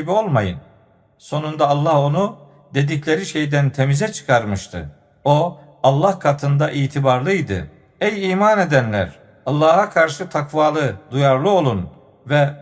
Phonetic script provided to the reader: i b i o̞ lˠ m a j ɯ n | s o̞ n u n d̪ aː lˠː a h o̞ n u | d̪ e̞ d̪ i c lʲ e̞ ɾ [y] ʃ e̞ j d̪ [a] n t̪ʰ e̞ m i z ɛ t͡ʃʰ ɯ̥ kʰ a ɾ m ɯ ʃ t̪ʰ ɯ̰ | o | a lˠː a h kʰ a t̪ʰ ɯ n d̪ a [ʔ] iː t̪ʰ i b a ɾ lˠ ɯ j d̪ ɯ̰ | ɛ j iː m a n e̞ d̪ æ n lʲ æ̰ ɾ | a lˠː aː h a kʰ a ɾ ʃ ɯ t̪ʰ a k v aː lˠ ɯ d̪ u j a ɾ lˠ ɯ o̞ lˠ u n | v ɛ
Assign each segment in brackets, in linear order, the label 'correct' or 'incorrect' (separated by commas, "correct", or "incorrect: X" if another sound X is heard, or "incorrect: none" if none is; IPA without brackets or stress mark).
incorrect: i, incorrect: æ, correct